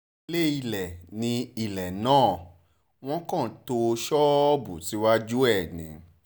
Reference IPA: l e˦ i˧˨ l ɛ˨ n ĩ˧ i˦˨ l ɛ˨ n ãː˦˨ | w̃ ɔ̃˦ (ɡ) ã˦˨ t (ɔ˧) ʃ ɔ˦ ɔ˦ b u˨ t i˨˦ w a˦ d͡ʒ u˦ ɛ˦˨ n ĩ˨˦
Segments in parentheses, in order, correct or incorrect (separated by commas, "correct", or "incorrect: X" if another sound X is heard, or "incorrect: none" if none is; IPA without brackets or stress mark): incorrect: k, incorrect: o˧